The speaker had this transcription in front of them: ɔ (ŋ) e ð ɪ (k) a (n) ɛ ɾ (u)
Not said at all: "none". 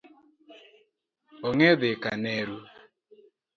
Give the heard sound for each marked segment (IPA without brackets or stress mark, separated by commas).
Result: ŋ, k, n, u